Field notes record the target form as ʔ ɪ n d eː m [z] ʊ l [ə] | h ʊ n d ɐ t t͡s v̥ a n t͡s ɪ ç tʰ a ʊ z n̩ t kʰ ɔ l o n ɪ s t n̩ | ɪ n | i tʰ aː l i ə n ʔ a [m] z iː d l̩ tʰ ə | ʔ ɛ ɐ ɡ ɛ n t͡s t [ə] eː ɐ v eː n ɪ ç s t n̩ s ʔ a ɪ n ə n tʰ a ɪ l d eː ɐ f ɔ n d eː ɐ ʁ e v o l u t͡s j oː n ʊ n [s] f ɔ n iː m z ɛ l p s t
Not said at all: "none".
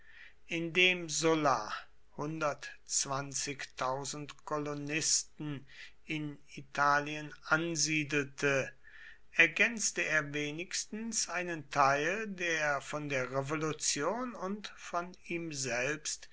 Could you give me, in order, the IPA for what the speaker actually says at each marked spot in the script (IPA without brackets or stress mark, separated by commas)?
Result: z, a, n, ə, t